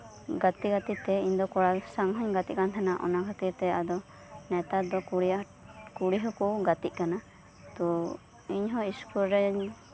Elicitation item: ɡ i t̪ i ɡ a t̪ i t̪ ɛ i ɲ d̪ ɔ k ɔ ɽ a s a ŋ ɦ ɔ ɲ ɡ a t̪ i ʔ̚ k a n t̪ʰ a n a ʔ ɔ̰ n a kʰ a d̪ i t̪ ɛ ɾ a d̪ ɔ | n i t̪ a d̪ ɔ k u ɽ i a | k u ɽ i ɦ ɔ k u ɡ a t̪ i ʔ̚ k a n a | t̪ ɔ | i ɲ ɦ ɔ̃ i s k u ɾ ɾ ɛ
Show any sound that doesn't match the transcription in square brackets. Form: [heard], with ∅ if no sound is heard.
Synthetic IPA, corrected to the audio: ɡ [a] t̪ i ɡ a t̪ i t̪ ɛ i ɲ d̪ ɔ k ɔ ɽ a s a ŋ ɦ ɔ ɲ ɡ a t̪ i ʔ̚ k a n t̪ʰ a n a ʔ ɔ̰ n a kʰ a [t̪] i t̪ ɛ [∅] a d̪ ɔ | n [ɛ] t̪ a d̪ ɔ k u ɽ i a | k u ɽ i ɦ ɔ k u ɡ a t̪ i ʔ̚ k a n a | t̪ ɔ | i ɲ ɦ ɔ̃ i s k u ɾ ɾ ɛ